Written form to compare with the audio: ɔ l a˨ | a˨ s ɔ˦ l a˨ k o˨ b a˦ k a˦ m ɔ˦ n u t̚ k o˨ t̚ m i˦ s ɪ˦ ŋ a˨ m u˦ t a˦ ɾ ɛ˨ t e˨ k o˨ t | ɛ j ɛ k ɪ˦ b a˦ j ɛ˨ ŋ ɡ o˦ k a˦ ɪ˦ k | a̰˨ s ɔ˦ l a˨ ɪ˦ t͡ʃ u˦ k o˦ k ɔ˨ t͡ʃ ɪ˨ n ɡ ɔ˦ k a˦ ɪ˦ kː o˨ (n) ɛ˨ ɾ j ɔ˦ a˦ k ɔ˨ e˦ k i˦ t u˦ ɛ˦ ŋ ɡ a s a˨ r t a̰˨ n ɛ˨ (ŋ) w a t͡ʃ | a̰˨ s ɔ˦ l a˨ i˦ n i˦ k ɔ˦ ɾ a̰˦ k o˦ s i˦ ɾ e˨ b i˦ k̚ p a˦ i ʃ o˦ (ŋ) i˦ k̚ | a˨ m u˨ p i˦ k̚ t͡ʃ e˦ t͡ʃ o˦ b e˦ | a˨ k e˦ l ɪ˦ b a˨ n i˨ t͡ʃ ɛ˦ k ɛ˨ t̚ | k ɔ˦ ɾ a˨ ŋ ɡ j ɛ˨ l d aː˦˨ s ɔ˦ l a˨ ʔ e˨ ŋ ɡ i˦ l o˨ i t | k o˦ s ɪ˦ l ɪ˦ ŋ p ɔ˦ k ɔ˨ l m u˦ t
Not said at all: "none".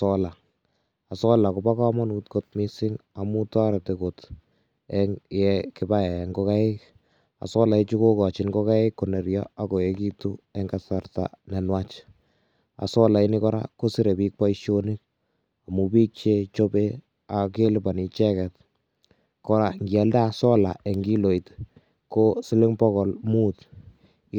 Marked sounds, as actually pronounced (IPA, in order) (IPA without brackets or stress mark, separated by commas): n, n, n